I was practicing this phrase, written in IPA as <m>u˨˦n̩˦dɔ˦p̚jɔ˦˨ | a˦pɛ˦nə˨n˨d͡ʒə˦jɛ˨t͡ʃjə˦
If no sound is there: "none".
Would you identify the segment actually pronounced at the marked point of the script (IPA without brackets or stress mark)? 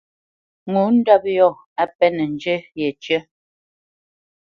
ŋ